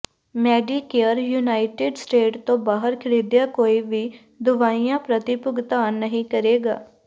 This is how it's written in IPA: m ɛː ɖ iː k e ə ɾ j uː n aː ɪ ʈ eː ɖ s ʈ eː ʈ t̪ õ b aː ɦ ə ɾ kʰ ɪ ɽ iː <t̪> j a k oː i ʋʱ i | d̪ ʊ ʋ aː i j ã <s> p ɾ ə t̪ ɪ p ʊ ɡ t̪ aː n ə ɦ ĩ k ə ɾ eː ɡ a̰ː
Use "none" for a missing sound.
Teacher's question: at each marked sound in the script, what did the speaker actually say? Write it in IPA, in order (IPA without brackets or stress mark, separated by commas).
d̪, none